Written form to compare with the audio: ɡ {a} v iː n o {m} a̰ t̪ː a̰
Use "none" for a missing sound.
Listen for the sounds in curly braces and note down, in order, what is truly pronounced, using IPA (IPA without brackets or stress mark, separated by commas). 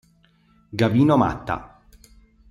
a, m